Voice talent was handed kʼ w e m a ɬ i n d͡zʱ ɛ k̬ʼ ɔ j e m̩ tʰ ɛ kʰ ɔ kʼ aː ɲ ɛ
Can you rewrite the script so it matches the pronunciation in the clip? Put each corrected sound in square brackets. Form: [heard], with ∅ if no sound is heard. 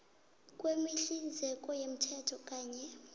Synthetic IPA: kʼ w e m [i] ɬ i n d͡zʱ ɛ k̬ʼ ɔ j e m̩ tʰ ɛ [tʰ] ɔ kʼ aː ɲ ɛ